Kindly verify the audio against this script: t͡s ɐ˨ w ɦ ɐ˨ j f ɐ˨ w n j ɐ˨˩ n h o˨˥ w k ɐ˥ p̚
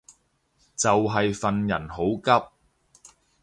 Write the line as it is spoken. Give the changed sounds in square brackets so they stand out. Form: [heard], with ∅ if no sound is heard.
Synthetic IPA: t͡s ɐ˨ w ɦ ɐ˨ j f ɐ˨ [∅] n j ɐ˨˩ n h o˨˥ w k ɐ˥ p̚